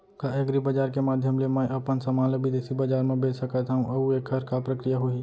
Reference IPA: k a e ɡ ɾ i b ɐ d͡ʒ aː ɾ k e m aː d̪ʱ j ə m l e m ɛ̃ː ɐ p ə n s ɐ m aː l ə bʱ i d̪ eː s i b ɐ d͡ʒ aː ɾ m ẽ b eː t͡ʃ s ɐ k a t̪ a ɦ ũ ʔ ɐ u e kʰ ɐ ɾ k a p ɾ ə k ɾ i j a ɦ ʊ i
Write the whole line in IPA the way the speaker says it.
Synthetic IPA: k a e ɡ ɾ i b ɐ d͡ʒ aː ɾ k e m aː d̪ʱ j ə m l e m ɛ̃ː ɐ p ə n s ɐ m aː l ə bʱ i d̪ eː s i b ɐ d͡ʒ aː ɾ m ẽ b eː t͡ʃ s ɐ k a t̪ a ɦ ũ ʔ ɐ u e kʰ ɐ ɾ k a p ɾ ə k ɾ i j a ɦ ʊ i

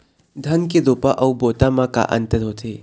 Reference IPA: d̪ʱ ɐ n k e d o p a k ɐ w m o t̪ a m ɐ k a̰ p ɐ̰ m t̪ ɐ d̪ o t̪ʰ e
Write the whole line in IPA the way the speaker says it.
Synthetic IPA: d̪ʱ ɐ n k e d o p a ʔ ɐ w b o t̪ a m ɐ k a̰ ʔ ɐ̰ n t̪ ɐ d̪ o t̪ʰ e

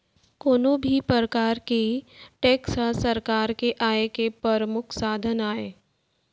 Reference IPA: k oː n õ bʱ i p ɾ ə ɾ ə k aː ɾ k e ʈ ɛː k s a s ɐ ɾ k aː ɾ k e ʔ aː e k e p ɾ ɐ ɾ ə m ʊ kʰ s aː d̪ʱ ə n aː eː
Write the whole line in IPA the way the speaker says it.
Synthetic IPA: k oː n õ bʱ i p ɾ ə ɾ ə k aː ɾ k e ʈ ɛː k s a s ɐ ɾ k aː ɾ k e ʔ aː e k e p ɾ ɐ ɾ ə m ʊ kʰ s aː d̪ʱ ə n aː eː

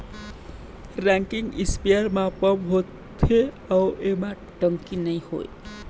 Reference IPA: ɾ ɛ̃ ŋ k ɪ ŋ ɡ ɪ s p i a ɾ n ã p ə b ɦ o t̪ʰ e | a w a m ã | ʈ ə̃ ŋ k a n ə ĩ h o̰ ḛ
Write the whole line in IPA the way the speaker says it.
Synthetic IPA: ɾ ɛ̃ ŋ k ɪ ŋ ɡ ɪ s p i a ɾ m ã p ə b ɦ o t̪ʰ e | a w e m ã | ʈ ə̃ ŋ k i n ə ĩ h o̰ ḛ

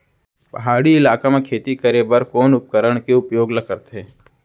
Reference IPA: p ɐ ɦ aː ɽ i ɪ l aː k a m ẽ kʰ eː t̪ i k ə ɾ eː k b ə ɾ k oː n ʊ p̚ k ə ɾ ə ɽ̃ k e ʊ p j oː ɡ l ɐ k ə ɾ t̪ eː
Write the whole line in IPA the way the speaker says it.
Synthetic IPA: p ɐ ɦ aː ɽ i ɪ l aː k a m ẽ kʰ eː t̪ i k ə ɾ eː b ə ɾ k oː n ʊ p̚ k ə ɾ ə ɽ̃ k e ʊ p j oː ɡ l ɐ k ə ɾ t̪ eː

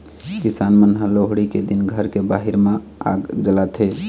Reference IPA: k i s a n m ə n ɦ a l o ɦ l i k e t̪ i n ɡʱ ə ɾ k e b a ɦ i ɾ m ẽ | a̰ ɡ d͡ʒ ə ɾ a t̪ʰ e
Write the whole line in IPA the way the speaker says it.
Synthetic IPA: k i s a n m ə n ɦ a l o ɦ ɽ i k e d̪ i n ɡʱ ə ɾ k e b a ɦ i ɾ m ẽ | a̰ ɡ d͡ʒ ə l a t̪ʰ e

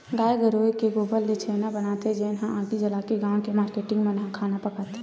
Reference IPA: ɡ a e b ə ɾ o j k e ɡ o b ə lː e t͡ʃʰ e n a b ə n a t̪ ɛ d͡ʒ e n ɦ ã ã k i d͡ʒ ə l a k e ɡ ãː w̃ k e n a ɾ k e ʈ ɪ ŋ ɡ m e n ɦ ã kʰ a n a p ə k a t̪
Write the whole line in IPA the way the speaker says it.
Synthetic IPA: ɡ a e ɡ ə ɾ o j k e ɡ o b ə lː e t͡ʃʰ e n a b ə n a t̪ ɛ d͡ʒ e n ɦ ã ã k i d͡ʒ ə l a k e ɡ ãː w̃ k e m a ɾ k e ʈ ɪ ŋ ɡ m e n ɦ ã kʰ a n a p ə k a t̪

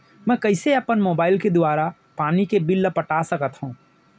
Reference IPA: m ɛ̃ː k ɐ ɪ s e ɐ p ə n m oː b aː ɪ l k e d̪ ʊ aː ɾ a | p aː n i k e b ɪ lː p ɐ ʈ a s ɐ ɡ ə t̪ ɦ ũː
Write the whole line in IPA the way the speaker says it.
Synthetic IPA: m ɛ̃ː k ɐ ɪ s e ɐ p ə n m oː b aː ɪ l k e d̪ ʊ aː ɾ a | p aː n i k e b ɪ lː p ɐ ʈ a s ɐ k ə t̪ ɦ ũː

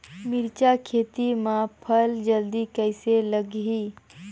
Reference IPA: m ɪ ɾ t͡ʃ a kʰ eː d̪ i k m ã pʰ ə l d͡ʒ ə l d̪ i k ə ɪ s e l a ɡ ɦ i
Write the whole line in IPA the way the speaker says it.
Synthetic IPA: m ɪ ɾ t͡ʃ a kʰ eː t̪ i m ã pʰ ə l d͡ʒ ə l d̪ i k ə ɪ s e l ə ɡ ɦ i

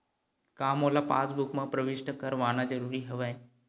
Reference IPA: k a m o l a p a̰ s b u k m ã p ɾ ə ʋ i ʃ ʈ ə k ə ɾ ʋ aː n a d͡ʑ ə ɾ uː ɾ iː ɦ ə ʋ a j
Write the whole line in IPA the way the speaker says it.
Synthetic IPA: k a m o l a p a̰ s b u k m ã p ɾ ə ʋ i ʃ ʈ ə k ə ɾ ʋ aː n a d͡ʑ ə ɾ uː ɾ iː ɦ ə ʋ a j

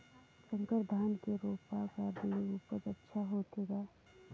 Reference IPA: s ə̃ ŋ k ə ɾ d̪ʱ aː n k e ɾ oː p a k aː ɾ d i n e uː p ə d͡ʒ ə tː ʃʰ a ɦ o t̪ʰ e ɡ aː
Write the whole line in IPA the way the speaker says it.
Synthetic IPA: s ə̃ ŋ k ə ɾ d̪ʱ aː n k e ɾ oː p a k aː ɾ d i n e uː p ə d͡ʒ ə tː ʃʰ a ɦ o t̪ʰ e ɡ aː

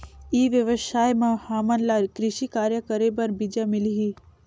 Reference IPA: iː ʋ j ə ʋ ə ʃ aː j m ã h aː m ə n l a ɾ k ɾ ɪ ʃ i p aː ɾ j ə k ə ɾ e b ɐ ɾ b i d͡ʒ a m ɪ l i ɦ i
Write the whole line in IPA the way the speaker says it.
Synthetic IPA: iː ʋ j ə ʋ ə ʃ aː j m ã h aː m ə n l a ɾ k ɾ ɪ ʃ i k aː ɾ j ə k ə ɾ e b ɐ ɾ b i d͡ʒ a m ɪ l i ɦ i

